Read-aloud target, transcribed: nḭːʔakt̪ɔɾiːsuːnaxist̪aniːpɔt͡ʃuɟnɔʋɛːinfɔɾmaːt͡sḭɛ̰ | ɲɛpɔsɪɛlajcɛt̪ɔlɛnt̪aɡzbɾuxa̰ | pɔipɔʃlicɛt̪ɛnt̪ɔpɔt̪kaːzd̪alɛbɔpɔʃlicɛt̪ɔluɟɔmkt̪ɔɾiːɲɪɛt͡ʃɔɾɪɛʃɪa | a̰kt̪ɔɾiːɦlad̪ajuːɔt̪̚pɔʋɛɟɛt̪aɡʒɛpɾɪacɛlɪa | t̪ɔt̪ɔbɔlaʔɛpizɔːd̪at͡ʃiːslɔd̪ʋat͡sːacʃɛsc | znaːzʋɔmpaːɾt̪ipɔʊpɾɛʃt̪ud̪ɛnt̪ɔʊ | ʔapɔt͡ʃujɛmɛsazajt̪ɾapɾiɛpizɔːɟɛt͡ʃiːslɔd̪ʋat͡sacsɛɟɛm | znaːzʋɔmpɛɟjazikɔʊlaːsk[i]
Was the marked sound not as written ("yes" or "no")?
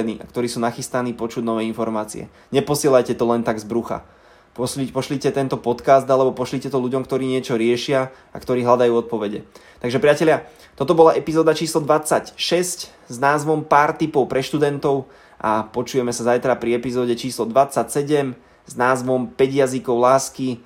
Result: no